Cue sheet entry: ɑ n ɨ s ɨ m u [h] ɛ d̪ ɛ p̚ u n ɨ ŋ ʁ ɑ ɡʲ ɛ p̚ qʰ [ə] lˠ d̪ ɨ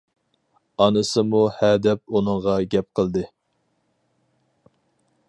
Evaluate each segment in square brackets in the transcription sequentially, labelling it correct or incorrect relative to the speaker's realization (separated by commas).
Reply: correct, correct